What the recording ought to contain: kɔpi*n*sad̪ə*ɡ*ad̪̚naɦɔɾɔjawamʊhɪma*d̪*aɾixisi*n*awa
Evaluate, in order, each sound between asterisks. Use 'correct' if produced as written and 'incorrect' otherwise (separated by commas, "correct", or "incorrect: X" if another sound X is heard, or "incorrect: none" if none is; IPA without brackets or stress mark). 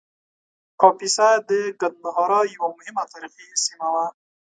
incorrect: none, correct, incorrect: t̪, incorrect: m